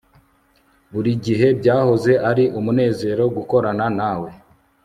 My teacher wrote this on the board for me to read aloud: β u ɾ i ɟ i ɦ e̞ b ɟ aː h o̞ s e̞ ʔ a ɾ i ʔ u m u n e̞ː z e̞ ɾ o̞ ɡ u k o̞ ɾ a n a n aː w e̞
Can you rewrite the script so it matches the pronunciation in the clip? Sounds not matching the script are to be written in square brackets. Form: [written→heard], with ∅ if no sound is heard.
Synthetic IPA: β u ɾ i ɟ i ɦ e̞ b ɟ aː h o̞ [s→z] e̞ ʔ a ɾ i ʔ u m u n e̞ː z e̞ ɾ o̞ ɡ u k o̞ ɾ a n a n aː w e̞

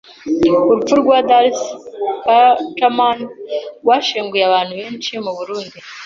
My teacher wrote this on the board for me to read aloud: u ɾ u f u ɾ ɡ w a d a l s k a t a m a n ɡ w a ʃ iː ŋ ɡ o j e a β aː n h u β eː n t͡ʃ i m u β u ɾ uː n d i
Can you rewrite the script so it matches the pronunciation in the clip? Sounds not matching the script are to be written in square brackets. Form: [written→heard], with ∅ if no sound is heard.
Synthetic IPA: u ɾ u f u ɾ ɡ w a d a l s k a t a m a n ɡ w a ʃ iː ŋ ɡ [o→u] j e a β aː n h u β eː n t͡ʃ i m u β u ɾ uː n d i

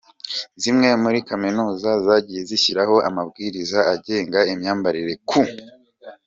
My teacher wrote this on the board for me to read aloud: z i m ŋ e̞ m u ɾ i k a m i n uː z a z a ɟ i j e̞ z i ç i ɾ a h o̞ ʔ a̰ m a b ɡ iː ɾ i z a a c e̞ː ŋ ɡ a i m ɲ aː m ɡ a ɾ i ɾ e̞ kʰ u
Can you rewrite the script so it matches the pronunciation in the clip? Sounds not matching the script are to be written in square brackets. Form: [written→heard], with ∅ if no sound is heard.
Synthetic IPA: z i m ŋ e̞ m u ɾ i k a m i n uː z a z a ɟ i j e̞ z i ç i ɾ a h o̞ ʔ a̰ m a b ɡ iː ɾ i z a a [c→ɟ] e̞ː ŋ ɡ a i m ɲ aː m [ɡ→b] a ɾ i ɾ e̞ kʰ u

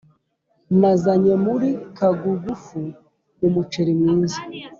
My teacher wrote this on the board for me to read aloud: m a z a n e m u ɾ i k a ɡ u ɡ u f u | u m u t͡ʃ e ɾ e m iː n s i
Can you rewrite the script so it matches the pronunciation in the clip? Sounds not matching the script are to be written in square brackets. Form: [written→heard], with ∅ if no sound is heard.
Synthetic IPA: m a z a [n→ɲ] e m u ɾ i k a ɡ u ɡ u f u | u m u t͡ʃ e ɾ [e→i] m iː n [s→z] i

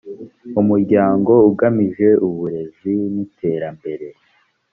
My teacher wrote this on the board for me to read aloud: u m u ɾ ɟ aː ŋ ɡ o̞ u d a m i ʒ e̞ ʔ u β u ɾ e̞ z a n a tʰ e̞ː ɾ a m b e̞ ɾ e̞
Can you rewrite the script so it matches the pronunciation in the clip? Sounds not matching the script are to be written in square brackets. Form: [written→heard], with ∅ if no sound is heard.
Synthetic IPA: u m u ɾ ɟ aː ŋ ɡ o̞ u [d→ɡ] a m i ʒ e̞ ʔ u β u ɾ e̞ z [a→i] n [a→i] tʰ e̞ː ɾ a m b e̞ ɾ e̞

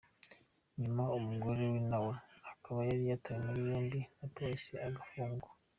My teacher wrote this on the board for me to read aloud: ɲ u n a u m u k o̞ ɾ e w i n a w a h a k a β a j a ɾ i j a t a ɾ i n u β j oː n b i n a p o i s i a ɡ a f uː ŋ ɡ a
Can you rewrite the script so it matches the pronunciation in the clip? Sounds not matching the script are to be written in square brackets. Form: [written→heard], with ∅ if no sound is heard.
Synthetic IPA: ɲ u [n→m] a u m u [k→ɡ] o̞ ɾ e w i n a w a h a k a β a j a ɾ i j a t a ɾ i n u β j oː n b i n a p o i s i a ɡ a f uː ŋ ɡ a

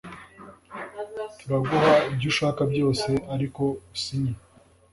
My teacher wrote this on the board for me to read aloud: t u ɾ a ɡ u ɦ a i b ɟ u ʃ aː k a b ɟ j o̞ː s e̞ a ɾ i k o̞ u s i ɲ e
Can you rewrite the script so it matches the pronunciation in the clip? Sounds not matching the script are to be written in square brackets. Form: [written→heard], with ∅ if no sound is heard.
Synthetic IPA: t u ɾ a ɡ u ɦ a i b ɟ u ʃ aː k a b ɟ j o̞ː s e̞ a ɾ i k o̞ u s i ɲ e

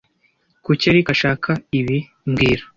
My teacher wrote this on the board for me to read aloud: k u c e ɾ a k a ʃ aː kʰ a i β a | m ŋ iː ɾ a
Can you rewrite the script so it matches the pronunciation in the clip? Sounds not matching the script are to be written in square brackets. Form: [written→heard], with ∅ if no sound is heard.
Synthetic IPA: k u c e ɾ [a→i] k a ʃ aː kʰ a i β [a→i] | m [ŋ→ɡ] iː ɾ a

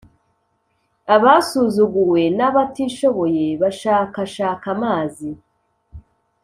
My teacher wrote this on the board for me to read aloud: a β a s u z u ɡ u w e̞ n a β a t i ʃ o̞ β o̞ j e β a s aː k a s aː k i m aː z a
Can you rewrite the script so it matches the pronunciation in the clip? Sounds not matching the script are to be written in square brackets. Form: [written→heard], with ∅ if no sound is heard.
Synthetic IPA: a β a s u z u ɡ u w e̞ n a β a t i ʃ o̞ β o̞ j e β a [s→ʃ] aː k a [s→ʃ] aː k [i→a] m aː z [a→i]

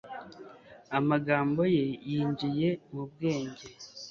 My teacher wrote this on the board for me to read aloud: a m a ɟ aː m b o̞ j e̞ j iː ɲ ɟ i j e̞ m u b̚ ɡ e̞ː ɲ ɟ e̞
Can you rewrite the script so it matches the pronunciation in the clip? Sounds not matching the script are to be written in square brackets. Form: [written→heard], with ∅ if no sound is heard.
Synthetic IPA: a m a [ɟ→ɡ] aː m b o̞ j e̞ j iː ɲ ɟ i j e̞ m u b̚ ɡ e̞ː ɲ ɟ e̞

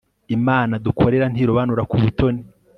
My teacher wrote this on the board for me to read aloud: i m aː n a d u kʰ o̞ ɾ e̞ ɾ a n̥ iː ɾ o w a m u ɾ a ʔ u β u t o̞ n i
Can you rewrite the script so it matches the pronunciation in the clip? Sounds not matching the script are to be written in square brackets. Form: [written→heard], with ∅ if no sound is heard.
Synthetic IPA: i m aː n a d u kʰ o̞ ɾ e̞ ɾ a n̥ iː ɾ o [w→β] a [m→n] u ɾ a [ʔ→k] u β u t o̞ n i

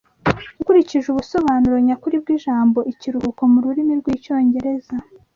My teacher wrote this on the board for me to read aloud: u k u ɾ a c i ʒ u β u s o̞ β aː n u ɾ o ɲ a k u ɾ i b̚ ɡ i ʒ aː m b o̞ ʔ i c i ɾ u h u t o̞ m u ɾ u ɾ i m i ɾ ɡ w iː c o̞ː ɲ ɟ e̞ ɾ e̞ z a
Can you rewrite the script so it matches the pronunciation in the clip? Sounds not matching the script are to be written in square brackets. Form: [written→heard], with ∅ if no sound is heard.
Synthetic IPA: u k u ɾ [a→i] c i ʒ u β u s o̞ β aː n u ɾ o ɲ a k u ɾ i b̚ ɡ i ʒ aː m b o̞ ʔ i c i ɾ u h u [t→k] o̞ m u ɾ u ɾ i m i ɾ ɡ w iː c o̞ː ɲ ɟ e̞ ɾ e̞ z a

